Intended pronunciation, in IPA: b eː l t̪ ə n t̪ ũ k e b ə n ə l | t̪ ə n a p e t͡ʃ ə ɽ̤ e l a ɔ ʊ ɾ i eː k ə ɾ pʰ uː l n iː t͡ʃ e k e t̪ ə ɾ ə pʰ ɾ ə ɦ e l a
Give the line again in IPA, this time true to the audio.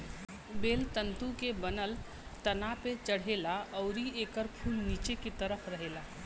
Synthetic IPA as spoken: b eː l t̪ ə n t̪ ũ k e b ə n ə l | t̪ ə n a p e t͡ʃ ə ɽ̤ e l a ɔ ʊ ɾ i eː k ə ɾ pʰ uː l n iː t͡ʃ e k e t̪ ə ɾ ə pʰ ɾ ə ɦ e l a